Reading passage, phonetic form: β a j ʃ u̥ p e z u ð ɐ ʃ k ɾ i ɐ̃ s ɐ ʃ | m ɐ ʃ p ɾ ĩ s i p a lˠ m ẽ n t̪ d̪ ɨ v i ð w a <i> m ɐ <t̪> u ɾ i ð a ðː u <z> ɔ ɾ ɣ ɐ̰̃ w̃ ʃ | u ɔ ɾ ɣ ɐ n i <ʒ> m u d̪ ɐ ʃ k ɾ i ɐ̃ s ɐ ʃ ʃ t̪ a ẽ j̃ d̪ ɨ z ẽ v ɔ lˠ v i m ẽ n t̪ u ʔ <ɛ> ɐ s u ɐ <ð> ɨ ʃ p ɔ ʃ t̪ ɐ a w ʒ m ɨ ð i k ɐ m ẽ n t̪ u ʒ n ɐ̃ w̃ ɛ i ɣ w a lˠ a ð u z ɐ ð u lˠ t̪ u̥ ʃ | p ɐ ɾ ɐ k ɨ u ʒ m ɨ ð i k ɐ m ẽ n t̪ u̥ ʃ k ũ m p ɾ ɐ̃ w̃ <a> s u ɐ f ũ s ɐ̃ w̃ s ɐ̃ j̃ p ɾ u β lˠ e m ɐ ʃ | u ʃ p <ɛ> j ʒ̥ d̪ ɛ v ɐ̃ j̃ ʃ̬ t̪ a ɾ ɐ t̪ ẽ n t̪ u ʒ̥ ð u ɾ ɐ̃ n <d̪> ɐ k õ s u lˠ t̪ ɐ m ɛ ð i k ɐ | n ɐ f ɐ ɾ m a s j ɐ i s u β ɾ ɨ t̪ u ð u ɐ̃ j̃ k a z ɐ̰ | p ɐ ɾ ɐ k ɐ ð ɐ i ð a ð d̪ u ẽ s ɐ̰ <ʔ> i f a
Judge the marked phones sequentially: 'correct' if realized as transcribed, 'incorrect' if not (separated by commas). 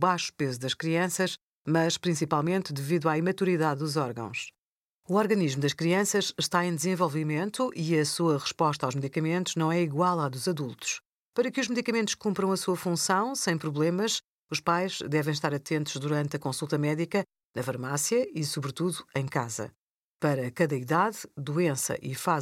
correct, correct, correct, correct, incorrect, incorrect, incorrect, incorrect, incorrect, correct